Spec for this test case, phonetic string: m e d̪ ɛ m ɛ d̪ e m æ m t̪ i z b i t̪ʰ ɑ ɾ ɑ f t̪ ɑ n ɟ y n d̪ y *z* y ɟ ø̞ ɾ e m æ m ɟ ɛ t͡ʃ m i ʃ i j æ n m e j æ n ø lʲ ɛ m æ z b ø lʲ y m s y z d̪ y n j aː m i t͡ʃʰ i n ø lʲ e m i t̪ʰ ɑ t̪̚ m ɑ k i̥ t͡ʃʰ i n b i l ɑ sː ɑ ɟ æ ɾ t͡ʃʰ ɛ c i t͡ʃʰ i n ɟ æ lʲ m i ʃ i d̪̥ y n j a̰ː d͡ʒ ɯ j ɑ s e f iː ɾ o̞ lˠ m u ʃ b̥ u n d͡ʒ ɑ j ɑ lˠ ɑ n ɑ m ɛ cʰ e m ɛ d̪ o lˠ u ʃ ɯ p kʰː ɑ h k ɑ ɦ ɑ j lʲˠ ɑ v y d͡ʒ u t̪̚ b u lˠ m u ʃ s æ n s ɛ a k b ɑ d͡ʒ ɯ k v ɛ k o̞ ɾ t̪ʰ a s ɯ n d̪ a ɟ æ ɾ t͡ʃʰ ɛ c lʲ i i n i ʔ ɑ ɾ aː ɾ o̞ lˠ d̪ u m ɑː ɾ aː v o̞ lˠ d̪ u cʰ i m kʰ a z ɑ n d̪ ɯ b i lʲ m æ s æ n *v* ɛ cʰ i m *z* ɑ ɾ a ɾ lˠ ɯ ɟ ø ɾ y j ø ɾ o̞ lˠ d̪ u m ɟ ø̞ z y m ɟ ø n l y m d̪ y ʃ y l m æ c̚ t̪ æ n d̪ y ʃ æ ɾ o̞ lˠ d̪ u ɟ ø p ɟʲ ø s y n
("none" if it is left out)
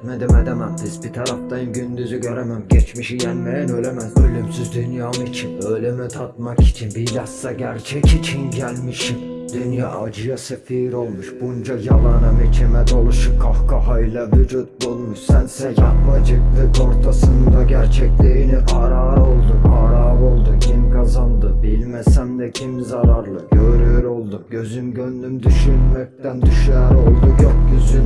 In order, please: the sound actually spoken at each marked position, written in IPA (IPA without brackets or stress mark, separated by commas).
z, v, z